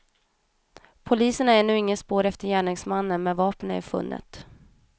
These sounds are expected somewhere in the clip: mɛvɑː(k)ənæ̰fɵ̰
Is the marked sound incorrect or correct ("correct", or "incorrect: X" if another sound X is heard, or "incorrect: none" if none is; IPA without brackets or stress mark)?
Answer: incorrect: p